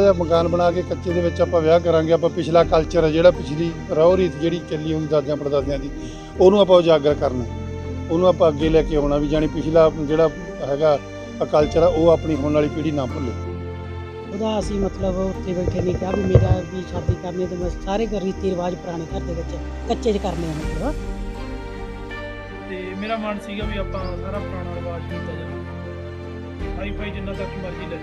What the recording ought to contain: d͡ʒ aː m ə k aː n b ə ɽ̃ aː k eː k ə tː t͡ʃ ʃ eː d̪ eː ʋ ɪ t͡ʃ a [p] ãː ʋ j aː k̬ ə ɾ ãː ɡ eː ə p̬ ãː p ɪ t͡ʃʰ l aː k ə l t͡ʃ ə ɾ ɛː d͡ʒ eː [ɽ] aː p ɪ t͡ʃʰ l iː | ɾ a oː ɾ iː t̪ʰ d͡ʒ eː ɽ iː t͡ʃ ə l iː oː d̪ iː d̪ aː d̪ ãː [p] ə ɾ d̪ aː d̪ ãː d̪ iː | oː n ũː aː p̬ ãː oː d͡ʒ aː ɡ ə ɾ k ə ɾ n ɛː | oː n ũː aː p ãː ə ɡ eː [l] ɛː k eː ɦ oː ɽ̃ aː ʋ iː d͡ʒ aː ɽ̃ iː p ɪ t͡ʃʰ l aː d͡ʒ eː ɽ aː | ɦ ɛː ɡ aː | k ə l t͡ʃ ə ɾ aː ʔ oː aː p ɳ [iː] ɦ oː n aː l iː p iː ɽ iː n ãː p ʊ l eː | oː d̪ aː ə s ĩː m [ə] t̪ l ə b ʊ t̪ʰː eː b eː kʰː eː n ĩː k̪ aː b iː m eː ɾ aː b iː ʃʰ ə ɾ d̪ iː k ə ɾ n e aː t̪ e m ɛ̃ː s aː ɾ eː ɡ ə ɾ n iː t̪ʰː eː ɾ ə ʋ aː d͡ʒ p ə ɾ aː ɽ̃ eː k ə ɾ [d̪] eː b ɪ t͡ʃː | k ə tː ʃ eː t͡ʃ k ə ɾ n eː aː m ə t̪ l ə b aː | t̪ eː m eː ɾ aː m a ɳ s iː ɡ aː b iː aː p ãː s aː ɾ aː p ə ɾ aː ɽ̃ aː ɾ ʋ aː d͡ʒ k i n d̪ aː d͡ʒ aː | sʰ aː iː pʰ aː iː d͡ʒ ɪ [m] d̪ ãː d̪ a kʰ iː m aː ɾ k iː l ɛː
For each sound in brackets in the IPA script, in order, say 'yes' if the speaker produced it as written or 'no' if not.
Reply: yes, yes, yes, yes, yes, yes, yes, no

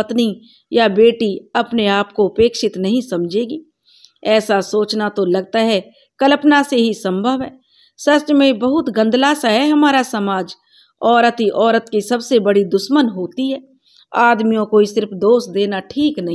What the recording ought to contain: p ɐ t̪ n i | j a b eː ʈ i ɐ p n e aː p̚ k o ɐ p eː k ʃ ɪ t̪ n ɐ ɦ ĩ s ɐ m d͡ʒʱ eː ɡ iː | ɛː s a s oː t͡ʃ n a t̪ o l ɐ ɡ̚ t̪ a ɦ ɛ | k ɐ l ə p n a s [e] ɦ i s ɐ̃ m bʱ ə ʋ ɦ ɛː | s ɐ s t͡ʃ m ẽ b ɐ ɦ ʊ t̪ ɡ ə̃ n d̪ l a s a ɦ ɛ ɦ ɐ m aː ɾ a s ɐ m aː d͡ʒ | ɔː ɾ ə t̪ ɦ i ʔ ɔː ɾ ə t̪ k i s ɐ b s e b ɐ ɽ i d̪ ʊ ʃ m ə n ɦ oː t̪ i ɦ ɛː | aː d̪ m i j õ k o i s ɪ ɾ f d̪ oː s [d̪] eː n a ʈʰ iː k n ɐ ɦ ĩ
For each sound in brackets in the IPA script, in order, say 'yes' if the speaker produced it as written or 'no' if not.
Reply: yes, yes

